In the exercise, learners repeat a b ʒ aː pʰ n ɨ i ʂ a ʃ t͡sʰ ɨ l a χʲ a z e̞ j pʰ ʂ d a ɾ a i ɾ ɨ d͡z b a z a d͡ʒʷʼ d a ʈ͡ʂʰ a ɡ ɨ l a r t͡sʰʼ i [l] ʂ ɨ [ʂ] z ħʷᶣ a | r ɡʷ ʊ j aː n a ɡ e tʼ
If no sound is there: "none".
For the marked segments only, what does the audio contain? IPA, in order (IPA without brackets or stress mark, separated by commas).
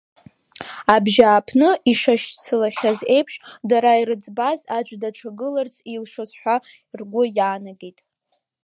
l, none